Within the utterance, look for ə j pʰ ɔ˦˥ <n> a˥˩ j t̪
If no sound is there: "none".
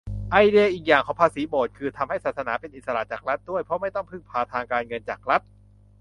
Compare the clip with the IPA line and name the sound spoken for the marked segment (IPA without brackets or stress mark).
m